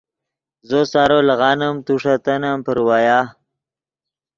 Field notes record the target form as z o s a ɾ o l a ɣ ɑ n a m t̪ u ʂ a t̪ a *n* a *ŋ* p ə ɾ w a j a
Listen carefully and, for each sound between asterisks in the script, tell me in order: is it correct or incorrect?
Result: correct, incorrect

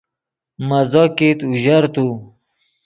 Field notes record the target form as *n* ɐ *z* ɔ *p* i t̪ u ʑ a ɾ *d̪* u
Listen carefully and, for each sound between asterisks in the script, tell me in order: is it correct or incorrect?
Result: incorrect, correct, incorrect, incorrect

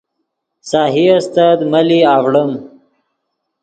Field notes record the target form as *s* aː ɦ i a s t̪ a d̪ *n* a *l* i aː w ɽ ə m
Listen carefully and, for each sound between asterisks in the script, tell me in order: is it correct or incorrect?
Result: correct, incorrect, correct

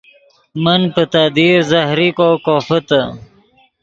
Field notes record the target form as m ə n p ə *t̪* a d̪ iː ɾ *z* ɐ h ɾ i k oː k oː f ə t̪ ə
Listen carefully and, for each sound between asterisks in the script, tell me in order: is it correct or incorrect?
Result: correct, correct

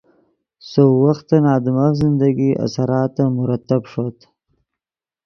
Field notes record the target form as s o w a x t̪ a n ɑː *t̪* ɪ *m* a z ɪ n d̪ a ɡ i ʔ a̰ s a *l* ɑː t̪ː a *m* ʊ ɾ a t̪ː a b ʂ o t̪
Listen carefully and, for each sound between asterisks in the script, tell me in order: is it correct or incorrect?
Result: incorrect, correct, incorrect, correct

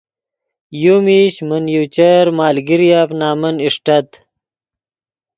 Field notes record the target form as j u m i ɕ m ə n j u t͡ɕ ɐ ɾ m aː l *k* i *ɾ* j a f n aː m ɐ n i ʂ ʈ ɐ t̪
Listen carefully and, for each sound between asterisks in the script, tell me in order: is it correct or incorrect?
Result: incorrect, correct

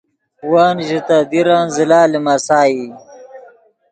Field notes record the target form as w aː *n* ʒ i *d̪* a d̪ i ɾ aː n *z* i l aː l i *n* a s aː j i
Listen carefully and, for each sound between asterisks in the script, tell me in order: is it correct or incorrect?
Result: correct, incorrect, correct, incorrect

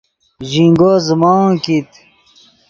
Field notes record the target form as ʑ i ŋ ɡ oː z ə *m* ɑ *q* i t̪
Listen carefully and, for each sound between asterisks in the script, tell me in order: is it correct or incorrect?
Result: correct, incorrect

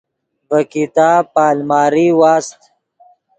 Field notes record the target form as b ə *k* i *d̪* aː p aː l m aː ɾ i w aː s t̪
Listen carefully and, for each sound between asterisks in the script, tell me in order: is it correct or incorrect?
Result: correct, incorrect

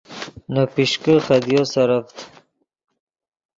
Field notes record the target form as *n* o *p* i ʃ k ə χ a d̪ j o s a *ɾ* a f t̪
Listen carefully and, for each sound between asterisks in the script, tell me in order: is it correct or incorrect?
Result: correct, correct, correct

